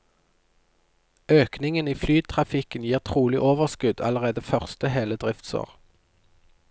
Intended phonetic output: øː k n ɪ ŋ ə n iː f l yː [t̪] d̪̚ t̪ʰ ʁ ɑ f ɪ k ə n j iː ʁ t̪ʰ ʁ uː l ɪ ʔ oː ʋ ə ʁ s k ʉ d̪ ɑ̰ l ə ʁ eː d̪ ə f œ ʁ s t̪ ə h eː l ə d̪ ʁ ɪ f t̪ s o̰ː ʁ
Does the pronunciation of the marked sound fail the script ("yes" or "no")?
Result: yes